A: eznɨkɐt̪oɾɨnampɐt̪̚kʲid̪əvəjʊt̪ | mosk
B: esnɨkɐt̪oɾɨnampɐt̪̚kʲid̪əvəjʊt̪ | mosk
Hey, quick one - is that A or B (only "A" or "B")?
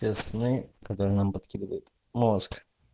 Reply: B